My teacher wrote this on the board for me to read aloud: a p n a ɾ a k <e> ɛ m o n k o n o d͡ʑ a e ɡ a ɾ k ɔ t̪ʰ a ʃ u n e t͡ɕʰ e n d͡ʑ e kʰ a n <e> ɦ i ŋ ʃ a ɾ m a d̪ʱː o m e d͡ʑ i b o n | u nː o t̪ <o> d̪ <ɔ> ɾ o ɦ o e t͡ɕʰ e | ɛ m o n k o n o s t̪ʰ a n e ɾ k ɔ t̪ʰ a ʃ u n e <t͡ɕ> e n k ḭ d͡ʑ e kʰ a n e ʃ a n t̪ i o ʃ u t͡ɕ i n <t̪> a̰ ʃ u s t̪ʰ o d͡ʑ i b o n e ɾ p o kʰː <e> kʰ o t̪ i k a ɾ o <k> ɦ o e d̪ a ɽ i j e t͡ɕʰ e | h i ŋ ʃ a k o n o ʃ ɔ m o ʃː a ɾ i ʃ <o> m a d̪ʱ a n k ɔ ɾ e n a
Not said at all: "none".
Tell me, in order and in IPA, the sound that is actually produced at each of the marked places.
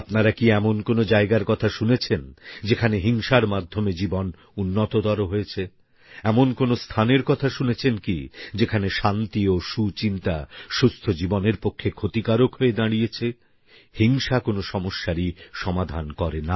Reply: i, e, o, ɔ, t͡ɕʰ, t̪, e, k, ɔ

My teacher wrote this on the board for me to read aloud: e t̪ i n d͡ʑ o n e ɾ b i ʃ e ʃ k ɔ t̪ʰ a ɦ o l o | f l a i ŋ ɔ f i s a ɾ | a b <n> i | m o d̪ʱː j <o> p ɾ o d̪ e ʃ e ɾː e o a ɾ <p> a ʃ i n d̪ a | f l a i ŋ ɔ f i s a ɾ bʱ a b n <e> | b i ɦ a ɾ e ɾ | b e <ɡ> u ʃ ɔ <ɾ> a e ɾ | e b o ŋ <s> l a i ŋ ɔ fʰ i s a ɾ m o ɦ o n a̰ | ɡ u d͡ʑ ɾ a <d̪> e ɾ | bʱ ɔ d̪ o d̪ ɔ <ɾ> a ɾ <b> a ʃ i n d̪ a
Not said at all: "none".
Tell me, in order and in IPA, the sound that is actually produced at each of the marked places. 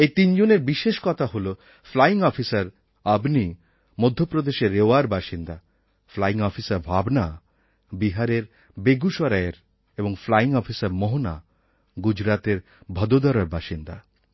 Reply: n, o, b, a, ɡ, ɾ, f, t̪, ɾ, b

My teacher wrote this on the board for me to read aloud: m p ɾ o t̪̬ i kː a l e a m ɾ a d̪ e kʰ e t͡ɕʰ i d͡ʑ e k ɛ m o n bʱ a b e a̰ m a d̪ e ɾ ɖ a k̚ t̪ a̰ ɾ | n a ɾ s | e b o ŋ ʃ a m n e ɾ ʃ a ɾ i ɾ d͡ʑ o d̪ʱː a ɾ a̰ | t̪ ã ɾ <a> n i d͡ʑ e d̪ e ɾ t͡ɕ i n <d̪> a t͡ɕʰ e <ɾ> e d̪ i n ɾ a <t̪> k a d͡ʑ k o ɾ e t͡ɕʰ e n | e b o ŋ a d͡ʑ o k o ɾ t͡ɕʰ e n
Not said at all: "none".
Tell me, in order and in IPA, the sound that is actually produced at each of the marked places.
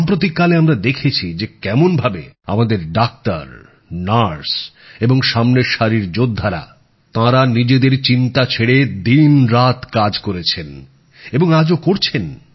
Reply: a, t̪, ɽ, t̪

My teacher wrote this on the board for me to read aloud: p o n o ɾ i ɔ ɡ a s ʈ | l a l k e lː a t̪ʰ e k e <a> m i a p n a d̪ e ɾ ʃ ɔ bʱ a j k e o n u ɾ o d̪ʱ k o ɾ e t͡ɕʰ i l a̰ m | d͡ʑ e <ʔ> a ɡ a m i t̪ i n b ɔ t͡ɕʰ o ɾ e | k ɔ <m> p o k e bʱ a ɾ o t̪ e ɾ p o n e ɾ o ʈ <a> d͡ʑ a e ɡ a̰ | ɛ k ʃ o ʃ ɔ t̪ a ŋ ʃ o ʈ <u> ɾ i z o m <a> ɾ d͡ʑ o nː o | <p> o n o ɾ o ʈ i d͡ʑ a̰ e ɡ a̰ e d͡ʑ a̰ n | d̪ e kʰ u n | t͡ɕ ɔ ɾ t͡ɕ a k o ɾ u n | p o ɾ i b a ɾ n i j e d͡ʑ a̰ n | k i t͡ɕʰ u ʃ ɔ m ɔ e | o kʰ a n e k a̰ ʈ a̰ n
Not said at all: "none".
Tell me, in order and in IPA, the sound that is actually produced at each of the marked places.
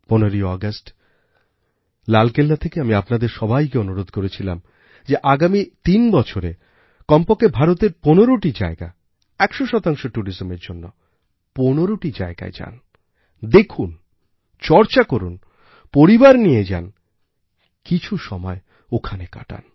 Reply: a, ʔ, m, i, u, e, p

